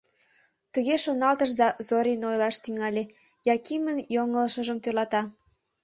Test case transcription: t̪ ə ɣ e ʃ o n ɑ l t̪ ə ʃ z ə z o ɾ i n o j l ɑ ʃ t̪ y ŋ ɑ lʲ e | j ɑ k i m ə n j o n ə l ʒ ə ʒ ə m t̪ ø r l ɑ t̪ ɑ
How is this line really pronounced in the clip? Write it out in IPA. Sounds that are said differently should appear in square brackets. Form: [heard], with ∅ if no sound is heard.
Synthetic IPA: t̪ ə ɣ e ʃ o n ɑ l t̪ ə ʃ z [ɑ] z o ɾ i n o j l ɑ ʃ t̪ y ŋ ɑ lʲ e | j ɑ k i m ə n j o [ŋ] ə l [ʃ] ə ʒ ə m t̪ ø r l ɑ t̪ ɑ